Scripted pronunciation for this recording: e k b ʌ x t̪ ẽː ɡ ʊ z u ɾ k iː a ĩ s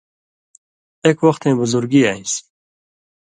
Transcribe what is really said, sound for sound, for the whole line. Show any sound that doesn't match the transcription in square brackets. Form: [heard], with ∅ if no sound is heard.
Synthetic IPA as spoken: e k [w] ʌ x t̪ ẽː [b] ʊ z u ɾ [ɡ] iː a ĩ s